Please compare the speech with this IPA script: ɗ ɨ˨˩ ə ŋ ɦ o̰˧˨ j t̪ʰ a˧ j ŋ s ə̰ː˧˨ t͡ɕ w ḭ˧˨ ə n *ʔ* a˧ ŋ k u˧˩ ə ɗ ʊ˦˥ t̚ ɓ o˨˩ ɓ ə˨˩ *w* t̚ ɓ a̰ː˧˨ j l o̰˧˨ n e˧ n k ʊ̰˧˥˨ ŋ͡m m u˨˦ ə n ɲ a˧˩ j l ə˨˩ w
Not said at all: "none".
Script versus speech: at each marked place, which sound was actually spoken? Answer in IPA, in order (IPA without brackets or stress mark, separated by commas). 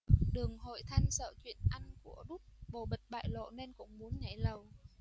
ʔ, none